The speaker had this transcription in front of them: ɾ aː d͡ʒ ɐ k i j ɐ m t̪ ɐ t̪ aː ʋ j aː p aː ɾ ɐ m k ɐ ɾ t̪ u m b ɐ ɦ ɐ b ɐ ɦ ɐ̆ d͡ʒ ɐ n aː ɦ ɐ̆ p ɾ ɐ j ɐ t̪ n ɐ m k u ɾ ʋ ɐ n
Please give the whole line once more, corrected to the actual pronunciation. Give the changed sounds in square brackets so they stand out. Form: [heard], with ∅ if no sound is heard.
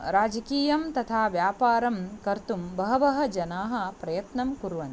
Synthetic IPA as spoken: ɾ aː d͡ʒ ɐ k [iː] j ɐ m t̪ ɐ [t̪ʰ] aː ʋ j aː p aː ɾ ɐ m k ɐ ɾ t̪ u m b ɐ ɦ ɐ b ɐ ɦ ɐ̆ d͡ʒ ɐ n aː ɦ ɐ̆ p ɾ ɐ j ɐ t̪ n ɐ m k u ɾ ʋ ɐ n